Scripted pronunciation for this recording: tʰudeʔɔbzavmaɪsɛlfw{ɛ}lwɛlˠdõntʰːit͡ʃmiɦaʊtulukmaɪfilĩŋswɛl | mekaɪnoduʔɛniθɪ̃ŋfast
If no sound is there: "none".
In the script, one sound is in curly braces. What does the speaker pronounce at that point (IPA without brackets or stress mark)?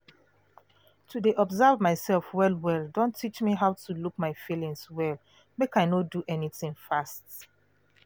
ɛ